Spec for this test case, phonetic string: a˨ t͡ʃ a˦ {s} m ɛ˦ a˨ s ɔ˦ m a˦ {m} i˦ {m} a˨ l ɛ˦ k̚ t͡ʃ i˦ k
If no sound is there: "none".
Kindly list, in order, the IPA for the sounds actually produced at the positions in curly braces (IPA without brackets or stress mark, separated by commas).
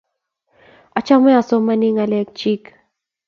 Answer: none, n, ŋ